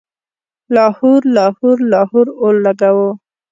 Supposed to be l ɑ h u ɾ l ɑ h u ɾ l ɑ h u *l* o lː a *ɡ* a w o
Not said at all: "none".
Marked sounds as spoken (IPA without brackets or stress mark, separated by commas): ɾ, ɡ